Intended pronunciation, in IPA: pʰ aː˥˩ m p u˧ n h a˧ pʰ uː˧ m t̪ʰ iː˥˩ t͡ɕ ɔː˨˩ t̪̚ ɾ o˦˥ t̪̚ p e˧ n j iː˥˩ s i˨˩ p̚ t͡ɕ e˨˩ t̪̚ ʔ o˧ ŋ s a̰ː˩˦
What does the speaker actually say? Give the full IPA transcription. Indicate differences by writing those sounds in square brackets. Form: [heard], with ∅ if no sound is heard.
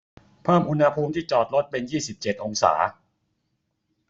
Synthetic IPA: pʰ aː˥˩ m [ʔ] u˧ n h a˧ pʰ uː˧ m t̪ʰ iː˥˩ t͡ɕ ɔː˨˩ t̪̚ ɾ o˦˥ t̪̚ p e˧ n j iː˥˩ s i˨˩ p̚ t͡ɕ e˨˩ t̪̚ ʔ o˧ ŋ s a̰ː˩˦